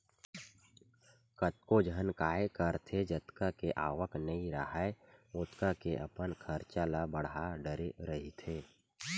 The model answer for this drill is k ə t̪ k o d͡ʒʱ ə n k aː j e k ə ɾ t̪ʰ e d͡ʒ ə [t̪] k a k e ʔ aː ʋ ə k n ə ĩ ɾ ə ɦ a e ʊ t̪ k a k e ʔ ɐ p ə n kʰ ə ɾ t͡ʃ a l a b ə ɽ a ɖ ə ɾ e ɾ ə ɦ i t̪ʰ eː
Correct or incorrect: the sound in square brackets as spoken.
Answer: correct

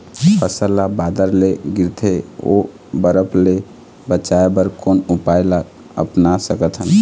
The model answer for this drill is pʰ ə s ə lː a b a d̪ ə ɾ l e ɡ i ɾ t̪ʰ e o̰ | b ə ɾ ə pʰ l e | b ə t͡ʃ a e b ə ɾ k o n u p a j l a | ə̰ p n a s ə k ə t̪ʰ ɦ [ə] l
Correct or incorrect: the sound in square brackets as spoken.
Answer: correct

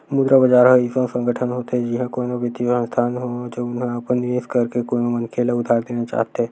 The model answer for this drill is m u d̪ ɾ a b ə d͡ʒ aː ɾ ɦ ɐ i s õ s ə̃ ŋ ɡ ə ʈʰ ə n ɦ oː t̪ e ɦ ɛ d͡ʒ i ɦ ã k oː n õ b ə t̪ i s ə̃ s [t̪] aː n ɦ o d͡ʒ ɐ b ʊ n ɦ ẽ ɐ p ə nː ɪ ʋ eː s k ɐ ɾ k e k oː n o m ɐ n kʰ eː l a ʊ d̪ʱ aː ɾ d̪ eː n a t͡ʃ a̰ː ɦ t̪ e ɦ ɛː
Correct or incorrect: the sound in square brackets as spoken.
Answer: incorrect: t̪ʰ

